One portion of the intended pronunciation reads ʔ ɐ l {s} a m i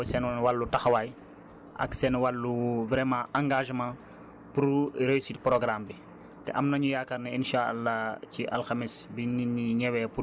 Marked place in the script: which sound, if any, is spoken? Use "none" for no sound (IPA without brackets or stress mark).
x